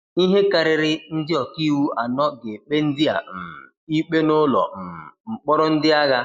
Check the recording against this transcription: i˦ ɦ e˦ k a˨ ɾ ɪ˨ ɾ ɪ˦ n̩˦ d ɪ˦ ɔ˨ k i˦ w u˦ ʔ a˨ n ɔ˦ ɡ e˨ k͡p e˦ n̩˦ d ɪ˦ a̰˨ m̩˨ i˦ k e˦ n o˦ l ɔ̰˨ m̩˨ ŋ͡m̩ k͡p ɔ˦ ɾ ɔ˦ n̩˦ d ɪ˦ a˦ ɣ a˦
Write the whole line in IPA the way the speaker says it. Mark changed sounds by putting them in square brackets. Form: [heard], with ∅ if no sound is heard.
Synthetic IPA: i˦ ɦ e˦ k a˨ ɾ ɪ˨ ɾ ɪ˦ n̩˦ d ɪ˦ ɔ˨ k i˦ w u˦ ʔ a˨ n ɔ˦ ɡ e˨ k͡p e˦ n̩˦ d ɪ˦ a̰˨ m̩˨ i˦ [k͡p] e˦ n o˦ l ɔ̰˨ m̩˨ ŋ͡m̩ k͡p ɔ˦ ɾ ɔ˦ n̩˦ d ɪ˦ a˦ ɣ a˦